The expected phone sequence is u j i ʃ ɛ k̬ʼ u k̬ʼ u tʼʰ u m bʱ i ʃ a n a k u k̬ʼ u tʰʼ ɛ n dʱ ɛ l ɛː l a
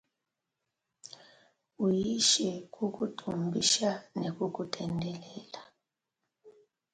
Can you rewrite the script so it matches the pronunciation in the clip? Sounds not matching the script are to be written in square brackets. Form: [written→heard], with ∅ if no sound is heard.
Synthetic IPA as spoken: u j i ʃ ɛ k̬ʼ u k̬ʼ u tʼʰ u m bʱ i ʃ a n [a→e] k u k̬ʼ u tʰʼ ɛ n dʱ ɛ l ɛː l a